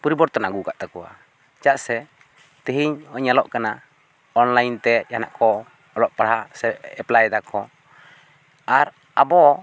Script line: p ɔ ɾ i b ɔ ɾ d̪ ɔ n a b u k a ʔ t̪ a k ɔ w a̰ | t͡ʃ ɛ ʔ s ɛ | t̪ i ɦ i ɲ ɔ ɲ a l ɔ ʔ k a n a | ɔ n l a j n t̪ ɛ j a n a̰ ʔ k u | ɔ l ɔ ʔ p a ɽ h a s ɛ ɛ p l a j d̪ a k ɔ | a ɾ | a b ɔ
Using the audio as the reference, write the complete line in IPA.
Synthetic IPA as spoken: p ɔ ɾ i b ɔ ɾ t̪ ɔ n a ɡ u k a ʔ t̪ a k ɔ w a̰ | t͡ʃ a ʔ s ɛ | t̪ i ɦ i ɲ ɔ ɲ a l ɔ ʔ k a n a | ɔ n l a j n t̪ ɛ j a n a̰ ʔ k ɔ | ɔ l ɔ ʔ p a ɽ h a s ɛ ɛ p l a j d̪ a k ɔ | a ɾ | a b ɔ